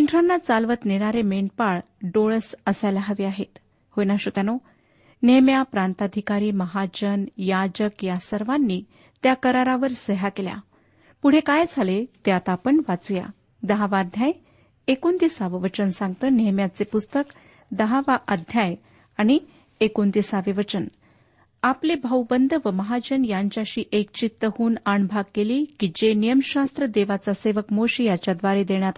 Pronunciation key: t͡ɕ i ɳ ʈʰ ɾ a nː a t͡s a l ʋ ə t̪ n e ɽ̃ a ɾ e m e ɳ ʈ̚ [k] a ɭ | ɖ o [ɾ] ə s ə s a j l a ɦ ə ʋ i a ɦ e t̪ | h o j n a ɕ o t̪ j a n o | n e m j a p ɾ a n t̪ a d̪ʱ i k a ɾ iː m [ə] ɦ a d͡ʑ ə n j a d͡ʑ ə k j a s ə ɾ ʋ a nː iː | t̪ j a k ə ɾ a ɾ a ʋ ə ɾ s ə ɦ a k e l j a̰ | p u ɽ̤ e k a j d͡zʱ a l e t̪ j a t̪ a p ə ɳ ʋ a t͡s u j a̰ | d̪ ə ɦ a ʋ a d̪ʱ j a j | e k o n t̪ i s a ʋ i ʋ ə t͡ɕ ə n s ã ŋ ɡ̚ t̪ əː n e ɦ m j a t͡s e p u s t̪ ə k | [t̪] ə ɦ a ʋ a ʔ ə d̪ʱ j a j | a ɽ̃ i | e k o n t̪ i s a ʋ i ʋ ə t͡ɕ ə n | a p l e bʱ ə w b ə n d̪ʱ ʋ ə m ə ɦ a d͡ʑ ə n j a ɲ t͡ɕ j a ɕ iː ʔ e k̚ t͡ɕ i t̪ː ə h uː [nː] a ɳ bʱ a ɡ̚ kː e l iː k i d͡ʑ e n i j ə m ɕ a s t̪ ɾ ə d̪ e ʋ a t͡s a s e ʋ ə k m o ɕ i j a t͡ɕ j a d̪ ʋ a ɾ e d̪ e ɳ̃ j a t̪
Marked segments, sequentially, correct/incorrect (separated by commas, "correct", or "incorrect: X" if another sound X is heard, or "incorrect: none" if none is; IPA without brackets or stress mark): incorrect: p, incorrect: ɭ, correct, incorrect: d̪, incorrect: n